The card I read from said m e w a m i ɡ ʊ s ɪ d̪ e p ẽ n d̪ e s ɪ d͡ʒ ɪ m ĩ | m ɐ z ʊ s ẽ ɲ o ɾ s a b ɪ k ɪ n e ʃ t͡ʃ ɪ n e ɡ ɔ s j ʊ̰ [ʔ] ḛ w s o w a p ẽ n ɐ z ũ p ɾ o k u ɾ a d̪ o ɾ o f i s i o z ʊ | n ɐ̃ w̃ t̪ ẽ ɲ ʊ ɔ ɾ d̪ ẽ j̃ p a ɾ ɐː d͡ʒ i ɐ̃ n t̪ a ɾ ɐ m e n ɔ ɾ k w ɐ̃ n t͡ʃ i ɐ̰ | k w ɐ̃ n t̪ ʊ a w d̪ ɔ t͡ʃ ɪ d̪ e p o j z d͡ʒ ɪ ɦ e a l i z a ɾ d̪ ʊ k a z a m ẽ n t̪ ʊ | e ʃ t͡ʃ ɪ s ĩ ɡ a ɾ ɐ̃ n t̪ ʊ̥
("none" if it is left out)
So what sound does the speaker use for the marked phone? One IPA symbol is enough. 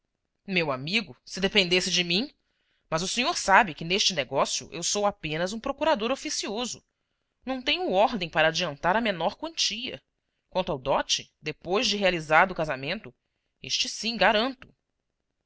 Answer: ʔ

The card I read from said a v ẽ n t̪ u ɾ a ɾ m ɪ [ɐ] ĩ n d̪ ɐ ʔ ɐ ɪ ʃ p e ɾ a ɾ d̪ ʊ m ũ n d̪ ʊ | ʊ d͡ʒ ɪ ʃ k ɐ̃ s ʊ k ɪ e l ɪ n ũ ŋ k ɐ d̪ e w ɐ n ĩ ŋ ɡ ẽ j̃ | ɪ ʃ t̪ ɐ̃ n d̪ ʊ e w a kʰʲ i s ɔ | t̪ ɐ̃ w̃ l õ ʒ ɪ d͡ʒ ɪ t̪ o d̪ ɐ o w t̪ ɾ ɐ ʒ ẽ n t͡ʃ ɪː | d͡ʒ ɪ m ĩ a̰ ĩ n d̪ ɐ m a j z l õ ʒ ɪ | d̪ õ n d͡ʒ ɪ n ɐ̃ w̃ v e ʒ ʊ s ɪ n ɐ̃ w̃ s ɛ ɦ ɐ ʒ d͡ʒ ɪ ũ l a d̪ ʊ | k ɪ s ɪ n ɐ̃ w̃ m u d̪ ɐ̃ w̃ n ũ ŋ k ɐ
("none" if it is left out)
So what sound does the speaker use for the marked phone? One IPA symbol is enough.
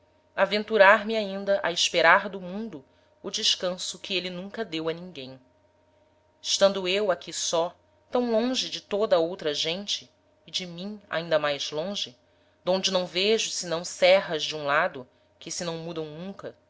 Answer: a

